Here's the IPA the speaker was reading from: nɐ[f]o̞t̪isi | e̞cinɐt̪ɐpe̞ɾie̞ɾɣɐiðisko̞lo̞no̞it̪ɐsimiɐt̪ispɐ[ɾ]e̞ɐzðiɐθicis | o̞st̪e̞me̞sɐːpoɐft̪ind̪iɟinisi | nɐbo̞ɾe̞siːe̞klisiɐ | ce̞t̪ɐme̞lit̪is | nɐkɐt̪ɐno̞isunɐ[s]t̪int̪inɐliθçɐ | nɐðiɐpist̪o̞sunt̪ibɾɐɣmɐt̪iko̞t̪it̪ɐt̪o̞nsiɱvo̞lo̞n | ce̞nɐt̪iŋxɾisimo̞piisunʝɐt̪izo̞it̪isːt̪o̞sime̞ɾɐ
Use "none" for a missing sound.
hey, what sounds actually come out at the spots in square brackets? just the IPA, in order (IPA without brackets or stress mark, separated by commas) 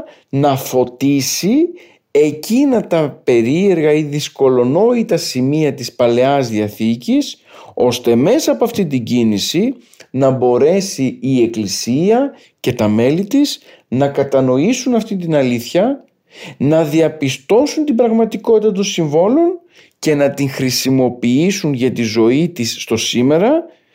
f, l, f